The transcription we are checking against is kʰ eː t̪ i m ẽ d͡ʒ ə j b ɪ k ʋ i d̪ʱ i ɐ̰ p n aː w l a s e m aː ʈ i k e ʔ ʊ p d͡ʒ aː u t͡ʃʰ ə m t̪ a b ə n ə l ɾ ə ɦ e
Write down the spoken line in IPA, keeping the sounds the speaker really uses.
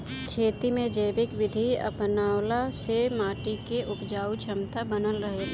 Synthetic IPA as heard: kʰ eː t̪ i m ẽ d͡ʒ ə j b ɪ k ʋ ɪ d̪ʱ i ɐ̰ p n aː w l a s e m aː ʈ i k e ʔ ʊ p d͡ʒ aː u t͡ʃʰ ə m t̪ a b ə n ə l ɾ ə ɦ e